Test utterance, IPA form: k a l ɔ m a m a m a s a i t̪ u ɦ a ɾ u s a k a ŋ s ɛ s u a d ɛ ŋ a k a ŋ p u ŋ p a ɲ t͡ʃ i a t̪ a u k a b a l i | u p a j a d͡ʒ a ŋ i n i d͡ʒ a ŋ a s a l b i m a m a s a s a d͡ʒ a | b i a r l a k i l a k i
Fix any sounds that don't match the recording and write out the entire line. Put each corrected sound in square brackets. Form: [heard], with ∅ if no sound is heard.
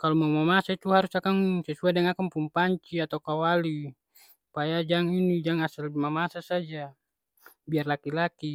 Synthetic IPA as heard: k a l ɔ m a m a m a s a i t̪ u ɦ a ɾ u s a k a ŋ s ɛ s u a d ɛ ŋ a k a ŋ p u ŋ p a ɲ t͡ʃ i a t̪ a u k a [w] a l i | u p a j a d͡ʒ a ŋ i n i d͡ʒ a ŋ a s a l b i m a m a s a s a d͡ʒ a | b i a r l a k i l a k i